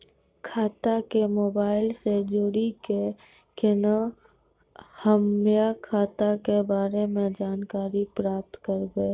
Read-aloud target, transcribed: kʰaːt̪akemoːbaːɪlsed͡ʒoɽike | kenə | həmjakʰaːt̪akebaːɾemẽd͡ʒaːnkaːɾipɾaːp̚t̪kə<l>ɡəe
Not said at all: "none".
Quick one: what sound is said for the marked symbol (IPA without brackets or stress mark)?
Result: ɾ